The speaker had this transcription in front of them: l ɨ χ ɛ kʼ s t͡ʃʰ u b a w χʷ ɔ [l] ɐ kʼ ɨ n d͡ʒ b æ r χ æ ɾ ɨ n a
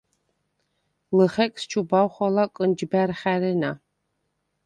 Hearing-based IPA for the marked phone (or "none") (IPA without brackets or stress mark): l